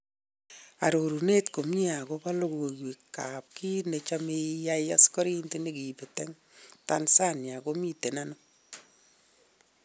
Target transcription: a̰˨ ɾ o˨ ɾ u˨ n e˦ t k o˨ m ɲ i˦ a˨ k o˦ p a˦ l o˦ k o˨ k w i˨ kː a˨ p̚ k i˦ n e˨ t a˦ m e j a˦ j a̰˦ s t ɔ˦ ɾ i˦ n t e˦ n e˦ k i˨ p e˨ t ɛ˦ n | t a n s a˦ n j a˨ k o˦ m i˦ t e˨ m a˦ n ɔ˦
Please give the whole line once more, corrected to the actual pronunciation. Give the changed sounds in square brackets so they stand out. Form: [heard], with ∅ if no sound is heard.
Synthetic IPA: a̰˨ ɾ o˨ ɾ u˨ n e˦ t k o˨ m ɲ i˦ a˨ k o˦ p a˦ l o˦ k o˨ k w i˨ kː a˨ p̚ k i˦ n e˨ [t͡ʃ] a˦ m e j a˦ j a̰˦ s [k] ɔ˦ ɾ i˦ n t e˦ n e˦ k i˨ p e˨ t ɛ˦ [ŋ] | t a n s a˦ n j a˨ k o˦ m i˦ t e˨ [n] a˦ n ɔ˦